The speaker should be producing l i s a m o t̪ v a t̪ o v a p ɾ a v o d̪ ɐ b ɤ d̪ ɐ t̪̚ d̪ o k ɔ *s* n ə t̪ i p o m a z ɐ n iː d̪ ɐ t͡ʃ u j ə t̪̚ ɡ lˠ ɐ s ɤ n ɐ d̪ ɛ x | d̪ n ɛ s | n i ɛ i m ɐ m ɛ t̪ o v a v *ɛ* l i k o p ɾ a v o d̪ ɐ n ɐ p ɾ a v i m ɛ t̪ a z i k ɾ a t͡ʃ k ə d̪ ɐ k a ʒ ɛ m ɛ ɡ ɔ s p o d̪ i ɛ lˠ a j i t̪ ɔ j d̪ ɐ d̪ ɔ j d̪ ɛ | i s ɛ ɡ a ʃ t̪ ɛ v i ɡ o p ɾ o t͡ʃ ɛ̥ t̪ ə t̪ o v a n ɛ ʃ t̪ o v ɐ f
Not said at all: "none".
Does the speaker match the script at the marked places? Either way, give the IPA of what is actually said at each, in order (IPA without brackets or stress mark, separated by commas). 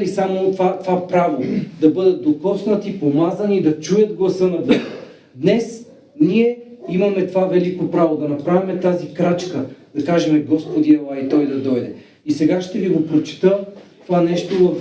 s, ɛ